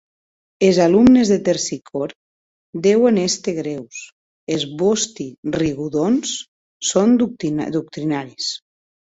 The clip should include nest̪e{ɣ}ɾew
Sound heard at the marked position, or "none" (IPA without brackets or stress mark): ɣ